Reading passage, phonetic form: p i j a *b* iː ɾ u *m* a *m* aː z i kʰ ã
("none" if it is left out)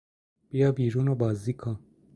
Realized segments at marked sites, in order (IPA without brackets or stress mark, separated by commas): b, n, b